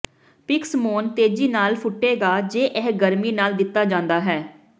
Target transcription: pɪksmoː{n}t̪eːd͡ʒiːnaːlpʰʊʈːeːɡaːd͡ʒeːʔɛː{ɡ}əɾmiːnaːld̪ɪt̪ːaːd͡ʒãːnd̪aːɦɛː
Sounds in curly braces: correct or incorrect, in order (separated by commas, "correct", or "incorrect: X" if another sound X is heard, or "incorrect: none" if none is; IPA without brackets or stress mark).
correct, correct